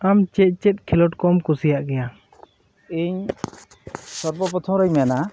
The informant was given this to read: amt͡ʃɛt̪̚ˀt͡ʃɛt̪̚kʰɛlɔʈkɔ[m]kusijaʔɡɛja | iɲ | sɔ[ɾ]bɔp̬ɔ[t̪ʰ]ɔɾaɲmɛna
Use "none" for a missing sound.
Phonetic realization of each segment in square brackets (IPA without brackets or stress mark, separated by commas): m, ɾ, t̪ʰ